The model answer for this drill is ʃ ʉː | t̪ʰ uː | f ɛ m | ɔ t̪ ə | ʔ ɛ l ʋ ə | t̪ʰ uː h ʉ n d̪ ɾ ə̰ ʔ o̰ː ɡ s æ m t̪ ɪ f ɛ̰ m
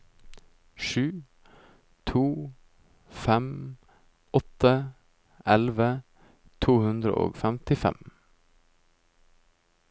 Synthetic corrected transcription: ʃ ʉː | t̪ʰ uː | f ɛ m | ɔ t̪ ə | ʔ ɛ l ʋ ə | t̪ʰ uː h ʉ n d̪ ɾ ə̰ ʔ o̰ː ɡ f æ m t̪ ɪ f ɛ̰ m